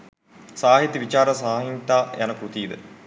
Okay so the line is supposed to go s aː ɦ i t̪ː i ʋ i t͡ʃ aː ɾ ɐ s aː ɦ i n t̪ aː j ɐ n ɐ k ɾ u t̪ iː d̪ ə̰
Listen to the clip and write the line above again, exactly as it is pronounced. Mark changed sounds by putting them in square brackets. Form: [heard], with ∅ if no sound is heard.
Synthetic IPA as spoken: s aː ɦ i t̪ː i ʋ i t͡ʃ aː ɾ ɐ s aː ɦ i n t̪ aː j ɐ n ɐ k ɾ u t̪ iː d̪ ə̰